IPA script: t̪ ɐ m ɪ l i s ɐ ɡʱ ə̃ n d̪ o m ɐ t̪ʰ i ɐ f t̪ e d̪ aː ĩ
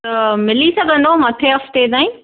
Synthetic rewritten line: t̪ ɐ m ɪ l i s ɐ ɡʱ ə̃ n d̪ o m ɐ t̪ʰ e ɐ f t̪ e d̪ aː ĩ

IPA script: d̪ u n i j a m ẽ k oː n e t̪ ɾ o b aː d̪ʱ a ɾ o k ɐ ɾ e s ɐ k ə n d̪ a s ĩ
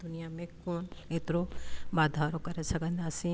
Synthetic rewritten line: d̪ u n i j a m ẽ k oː n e t̪ ɾ o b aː d̪ʱ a ɾ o k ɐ ɾ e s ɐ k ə n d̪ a s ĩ

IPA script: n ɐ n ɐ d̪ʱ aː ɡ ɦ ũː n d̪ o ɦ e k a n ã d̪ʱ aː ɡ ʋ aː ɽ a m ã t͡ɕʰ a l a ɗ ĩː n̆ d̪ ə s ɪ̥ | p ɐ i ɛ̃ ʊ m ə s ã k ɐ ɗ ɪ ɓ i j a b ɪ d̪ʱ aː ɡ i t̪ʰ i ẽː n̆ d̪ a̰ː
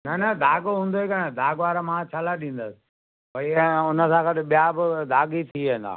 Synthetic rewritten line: n ɐ n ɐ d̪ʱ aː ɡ ɦ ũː n d̪ o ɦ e k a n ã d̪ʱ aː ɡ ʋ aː ɾ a m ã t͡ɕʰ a l a ɗ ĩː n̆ d̪ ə s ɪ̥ | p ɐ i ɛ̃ ʊ n ə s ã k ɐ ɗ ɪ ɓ i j a b ɪ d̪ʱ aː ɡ i t̪ʰ i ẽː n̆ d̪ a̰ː

